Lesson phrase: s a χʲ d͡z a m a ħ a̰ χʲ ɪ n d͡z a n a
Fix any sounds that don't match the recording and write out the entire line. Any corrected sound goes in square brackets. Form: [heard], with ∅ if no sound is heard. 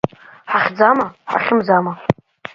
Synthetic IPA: [ħ] a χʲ d͡z a m a ħ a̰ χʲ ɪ [m] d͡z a [m] a

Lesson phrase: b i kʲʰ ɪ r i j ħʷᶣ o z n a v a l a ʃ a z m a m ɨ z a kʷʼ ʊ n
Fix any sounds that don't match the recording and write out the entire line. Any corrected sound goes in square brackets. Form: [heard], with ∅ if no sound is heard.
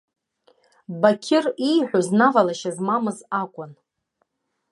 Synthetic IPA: b [a] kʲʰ ɪ r i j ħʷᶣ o z n a v a l a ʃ a z m a m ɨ z a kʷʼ ʊ n

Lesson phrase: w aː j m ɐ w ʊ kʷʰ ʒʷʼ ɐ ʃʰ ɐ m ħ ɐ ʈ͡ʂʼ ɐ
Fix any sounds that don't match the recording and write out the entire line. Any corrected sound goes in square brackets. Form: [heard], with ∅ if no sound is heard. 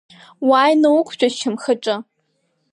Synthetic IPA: w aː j [n] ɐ w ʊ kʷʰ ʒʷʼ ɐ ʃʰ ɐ m [x] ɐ ʈ͡ʂʼ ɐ

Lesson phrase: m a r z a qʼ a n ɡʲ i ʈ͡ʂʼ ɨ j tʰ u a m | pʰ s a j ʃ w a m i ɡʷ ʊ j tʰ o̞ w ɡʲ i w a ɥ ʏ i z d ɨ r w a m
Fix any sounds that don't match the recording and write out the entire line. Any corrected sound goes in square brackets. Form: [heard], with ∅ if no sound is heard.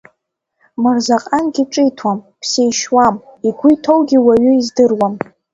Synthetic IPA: m a r z a qʼ a n ɡʲ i ʈ͡ʂʼ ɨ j tʰ [w] a m | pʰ s [e] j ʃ w a m i ɡʷ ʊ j tʰ o̞ w ɡʲ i w a ɥ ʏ i z d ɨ r w a m

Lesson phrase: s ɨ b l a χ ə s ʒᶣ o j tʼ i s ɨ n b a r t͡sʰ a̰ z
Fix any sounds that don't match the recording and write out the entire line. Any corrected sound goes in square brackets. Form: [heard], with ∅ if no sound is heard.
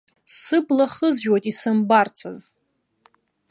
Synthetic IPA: s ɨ b l a χ ə [z] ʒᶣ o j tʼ i s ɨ [m] b a r t͡sʰ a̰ z

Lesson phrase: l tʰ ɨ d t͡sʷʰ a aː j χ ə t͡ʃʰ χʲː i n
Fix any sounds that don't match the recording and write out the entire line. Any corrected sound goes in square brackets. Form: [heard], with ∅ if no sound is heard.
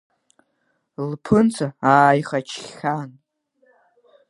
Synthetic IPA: l [pʰ] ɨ [n] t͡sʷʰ a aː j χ [a] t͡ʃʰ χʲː [a] n

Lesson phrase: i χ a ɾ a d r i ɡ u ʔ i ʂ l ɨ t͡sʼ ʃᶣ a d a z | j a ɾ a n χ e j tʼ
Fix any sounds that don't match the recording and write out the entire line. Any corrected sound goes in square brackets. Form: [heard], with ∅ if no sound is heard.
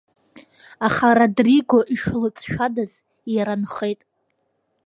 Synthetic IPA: [a] χ a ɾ a d r i ɡ [o] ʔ i ʂ l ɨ t͡sʼ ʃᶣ a d a z | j a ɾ a n χ e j tʼ

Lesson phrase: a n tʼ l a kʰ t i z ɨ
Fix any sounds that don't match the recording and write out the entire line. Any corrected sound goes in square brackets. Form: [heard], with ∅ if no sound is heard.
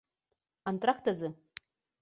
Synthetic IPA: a n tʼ [r] a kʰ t [a] z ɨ

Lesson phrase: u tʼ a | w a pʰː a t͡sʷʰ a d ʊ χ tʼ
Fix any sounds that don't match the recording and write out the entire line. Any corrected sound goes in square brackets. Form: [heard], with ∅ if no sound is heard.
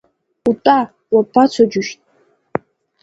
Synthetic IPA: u tʼ a | w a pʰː a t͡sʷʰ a [d͡ʒ] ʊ [ʃ] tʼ

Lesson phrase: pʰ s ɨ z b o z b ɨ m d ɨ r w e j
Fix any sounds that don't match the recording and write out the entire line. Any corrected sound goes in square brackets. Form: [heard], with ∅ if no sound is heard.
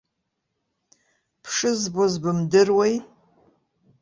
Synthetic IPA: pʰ [ʂ] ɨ z b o z b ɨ m d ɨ r w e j

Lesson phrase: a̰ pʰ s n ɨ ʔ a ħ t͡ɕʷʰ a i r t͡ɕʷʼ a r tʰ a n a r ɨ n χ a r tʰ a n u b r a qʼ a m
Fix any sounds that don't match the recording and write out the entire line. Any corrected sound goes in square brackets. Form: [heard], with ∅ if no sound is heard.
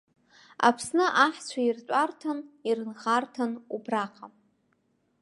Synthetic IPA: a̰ pʰ s n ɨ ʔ a ħ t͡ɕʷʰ a i r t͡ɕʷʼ a r tʰ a n [i] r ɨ n χ a r tʰ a n u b r a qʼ a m

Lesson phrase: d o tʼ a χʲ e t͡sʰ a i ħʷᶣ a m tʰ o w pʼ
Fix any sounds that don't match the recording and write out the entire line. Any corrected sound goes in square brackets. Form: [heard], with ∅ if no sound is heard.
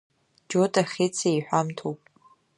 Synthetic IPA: [d͡ʒ] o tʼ a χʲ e t͡sʰ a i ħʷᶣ a m tʰ o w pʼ

